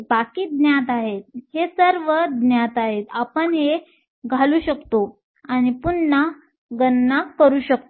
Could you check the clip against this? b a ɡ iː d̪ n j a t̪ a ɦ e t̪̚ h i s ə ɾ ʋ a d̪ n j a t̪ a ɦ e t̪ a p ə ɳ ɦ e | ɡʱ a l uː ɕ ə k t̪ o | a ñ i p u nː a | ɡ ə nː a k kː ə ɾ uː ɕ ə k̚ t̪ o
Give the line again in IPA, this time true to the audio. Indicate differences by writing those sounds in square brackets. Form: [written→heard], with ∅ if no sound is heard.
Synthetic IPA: b a [ɡ→k] iː d̪ n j a t̪ a ɦ e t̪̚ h [i→e] s ə ɾ ʋ [a→ə] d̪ n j a t̪ a ɦ e t̪ a p ə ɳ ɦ e | ɡʱ a l uː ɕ ə k t̪ o | a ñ i p u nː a | ɡ ə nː a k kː ə ɾ uː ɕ ə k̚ t̪ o